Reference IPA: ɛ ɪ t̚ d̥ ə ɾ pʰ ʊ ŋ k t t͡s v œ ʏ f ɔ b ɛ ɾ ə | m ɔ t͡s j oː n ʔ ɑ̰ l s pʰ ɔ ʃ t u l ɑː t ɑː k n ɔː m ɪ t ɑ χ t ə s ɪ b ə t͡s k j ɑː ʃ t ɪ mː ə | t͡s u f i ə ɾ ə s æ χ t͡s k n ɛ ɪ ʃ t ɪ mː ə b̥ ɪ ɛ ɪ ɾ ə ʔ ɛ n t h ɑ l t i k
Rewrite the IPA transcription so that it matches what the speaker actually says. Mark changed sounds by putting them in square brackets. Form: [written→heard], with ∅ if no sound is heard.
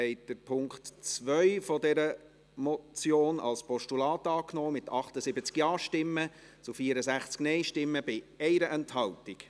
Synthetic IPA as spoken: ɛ ɪ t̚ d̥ ə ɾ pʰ ʊ ŋ k t t͡s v œ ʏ f ɔ [b→d] ɛ ɾ ə | m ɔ t͡s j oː n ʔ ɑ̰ l s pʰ ɔ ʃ t u l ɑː t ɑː k n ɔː m ɪ t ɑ χ t ə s ɪ b ə t͡s k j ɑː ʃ t ɪ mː ə | t͡s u f i ə ɾ ə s æ χ t͡s k n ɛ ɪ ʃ t ɪ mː ə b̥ ɪ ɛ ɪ ɾ ə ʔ ɛ n t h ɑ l t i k

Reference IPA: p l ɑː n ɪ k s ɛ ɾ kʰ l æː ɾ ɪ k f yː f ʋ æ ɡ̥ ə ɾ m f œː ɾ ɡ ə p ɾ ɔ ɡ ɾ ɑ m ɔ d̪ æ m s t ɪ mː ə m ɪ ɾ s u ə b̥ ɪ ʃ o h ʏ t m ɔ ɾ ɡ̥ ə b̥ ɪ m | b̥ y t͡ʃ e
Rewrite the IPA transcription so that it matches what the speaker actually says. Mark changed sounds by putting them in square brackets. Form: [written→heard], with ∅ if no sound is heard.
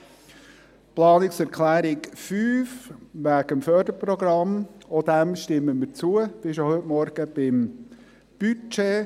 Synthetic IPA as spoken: p l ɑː n ɪ k s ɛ ɾ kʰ l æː ɾ ɪ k f yː f ʋ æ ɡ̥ ə [ɾ→∅] m f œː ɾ [ɡ→d] ə p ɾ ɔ ɡ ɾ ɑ m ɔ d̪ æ m [s→ʃ] t ɪ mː ə m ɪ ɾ [s→t͡s] u ə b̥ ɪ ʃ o h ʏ t m ɔ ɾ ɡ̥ ə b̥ ɪ m | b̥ y t͡ʃ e

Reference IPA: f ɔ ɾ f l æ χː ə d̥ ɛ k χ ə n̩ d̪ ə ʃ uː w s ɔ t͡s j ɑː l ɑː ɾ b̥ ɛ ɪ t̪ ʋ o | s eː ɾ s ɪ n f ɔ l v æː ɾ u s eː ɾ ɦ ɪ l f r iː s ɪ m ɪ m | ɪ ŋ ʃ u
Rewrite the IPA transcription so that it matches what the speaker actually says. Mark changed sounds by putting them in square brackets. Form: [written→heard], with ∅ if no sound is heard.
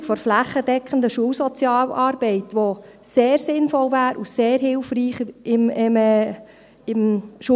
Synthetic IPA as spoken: f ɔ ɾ f l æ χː ə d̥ ɛ k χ ə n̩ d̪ ə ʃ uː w s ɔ t͡s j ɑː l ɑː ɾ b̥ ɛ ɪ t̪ ʋ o | s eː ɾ s ɪ n f ɔ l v æː ɾ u s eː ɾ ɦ ɪ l f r iː [s→χ] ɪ m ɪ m | ɪ [ŋ→m] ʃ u

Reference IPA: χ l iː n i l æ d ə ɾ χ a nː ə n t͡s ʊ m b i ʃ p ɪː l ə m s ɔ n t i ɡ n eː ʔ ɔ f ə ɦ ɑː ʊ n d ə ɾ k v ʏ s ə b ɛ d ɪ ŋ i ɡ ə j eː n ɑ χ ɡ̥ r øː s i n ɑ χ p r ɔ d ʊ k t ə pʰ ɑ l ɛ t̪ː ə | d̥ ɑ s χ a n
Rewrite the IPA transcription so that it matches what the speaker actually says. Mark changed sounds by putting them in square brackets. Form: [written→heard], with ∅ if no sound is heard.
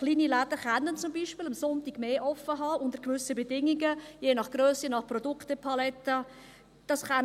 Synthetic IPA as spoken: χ l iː n i l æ d ə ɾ χ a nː ə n t͡s ʊ m b i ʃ p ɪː l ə m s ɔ n t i ɡ [n→m] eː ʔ ɔ f ə ɦ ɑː ʊ n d ə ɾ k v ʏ s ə b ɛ d ɪ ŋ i ɡ ə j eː n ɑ χ ɡ̥ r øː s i n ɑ χ p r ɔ d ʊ k t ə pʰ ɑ l ɛ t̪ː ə | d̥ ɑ s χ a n

